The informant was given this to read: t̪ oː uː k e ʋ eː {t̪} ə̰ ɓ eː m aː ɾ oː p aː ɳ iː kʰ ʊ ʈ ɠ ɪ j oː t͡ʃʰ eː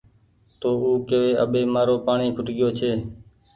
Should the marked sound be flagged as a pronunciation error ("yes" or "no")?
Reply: yes